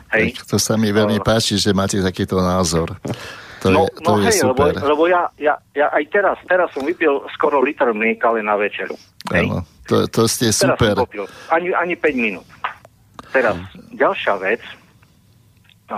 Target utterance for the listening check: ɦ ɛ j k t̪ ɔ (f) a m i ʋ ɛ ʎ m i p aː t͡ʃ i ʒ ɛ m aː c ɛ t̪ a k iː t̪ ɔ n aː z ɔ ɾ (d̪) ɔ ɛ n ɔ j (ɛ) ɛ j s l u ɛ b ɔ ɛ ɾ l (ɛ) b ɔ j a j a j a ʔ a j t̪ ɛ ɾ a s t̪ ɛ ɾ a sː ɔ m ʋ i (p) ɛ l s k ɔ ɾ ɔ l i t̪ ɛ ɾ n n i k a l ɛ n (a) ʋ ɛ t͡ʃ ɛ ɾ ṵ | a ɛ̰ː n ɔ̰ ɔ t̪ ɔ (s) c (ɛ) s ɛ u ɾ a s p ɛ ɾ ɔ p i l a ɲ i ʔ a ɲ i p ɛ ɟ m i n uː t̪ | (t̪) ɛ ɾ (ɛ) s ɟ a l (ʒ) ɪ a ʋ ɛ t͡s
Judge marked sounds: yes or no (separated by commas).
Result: no, no, yes, yes, yes, yes, yes, yes, yes, no, no